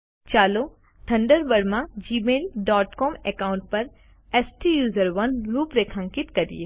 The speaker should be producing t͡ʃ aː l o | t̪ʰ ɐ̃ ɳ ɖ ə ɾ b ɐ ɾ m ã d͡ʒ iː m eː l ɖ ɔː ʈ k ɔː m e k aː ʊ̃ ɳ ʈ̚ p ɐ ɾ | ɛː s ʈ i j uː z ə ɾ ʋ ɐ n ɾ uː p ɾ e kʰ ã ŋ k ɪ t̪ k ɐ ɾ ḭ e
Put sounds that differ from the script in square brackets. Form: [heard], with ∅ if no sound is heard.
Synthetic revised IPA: t͡ʃ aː l o | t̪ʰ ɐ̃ ɳ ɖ ə ɾ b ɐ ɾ m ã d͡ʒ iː m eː l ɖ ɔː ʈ k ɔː m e k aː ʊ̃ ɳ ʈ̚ p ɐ ɾ | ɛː s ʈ i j uː z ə ɾ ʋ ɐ n ɾ uː p ɾ e kʰ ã ŋ k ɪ t̪ k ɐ ɾ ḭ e